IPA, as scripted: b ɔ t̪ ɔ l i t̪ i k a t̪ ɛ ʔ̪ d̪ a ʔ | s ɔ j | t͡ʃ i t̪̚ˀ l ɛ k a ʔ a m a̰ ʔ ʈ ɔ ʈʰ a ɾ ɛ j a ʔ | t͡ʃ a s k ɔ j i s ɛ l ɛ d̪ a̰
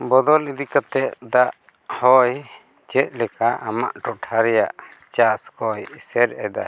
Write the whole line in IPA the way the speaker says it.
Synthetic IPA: b ɔ d̪ ɔ l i d̪ i k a t̪ ɛ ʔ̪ d̪ a ʔ | h ɔ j | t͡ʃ ɛ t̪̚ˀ l ɛ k a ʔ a m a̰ ʔ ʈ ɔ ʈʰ a ɾ ɛ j a ʔ | t͡ʃ a s k ɔ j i s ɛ ɾ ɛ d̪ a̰

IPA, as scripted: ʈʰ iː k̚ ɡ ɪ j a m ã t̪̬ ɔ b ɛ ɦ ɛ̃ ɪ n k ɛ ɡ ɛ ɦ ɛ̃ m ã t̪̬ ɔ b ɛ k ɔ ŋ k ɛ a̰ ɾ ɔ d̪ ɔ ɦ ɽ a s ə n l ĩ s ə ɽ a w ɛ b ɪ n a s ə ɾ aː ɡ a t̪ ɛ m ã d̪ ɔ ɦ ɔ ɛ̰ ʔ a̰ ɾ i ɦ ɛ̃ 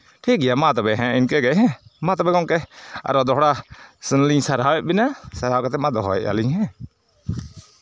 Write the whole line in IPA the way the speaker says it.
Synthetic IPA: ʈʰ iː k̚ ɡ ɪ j a m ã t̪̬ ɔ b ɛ ɦ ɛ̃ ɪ n k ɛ ɡ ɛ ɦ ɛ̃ m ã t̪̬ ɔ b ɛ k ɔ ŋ k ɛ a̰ ɾ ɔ d̪ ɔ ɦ ɽ a s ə n l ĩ s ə ɾ a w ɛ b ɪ n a s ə ɾ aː k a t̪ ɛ m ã d̪ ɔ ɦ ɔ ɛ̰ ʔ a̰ l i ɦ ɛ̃

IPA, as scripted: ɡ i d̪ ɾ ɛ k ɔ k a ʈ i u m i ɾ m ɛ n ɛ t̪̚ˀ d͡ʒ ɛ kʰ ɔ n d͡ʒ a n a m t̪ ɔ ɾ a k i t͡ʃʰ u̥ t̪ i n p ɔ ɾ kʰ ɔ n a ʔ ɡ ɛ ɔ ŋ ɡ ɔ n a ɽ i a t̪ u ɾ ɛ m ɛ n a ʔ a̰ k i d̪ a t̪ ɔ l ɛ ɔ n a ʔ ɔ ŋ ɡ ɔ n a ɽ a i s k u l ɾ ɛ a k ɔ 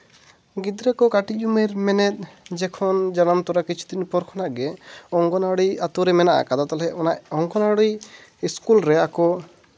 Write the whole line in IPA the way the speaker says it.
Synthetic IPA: ɡ i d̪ ɾ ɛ k ɔ k a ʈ i u m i ɾ m ɛ n ɛ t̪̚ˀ d͡ʒ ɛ kʰ ɔ n d͡ʒ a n a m t̪ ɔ ɾ a k i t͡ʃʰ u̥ t̪ i n p ɔ ɾ kʰ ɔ n a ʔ ɡ ɛ ɔ ŋ ɡ ɔ n a ɽ i a t̪ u ɾ ɛ m ɛ n a ʔ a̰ k a d̪ a t̪ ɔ l ɛ ɔ n a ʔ ɔ ŋ ɡ ɔ n a ɽ i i s k u l ɾ ɛ a k ɔ

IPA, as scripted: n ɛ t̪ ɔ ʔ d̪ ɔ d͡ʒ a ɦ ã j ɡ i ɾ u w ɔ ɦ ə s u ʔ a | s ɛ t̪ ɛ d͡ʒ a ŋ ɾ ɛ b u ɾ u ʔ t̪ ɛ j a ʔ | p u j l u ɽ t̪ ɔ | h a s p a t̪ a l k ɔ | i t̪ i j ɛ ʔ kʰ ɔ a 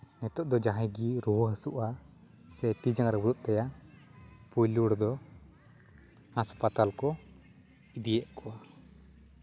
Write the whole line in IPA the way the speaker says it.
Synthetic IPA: n ɛ t̪ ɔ ʔ d̪ ɔ d͡ʒ a ɦ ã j ɡ i ɾ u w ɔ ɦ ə s u ʔ a | s ɛ t̪ i d͡ʒ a ŋ ɾ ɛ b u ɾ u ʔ t̪ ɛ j a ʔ | p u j l u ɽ d̪ ɔ | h a s p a t̪ a l k ɔ | i d̪ i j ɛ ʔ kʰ ɔ a

